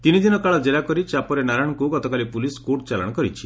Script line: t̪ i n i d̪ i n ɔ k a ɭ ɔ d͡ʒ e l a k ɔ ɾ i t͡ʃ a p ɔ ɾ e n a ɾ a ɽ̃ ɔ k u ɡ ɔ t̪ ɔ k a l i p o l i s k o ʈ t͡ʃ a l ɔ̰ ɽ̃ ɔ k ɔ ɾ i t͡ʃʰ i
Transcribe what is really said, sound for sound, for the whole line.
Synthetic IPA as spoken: t̪ i n i d̪ i n ɔ k a ɭ ɔ d͡ʒ e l a k ɔ ɾ i t͡ʃ a p ɔ ɾ e n a ɾ a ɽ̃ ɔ k u ɡ ɔ t̪ ɔ k a l i p u l i s k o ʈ t͡ʃ a l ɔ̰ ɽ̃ ɔ k ɔ ɾ i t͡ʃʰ i